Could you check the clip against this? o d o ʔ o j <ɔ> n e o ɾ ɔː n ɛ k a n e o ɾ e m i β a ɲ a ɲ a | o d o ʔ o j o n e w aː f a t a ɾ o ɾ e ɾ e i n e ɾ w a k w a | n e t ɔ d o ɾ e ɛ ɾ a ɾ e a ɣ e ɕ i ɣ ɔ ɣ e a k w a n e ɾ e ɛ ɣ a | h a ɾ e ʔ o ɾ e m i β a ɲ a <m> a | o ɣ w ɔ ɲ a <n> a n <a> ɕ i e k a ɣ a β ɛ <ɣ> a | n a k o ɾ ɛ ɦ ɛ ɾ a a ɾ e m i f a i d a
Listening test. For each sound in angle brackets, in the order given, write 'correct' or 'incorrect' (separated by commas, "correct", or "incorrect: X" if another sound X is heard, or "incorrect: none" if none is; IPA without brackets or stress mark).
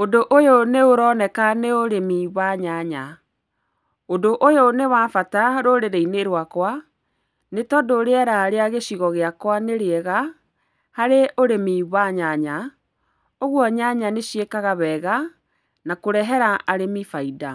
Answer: incorrect: o, incorrect: ɲ, incorrect: ɲ, incorrect: e, correct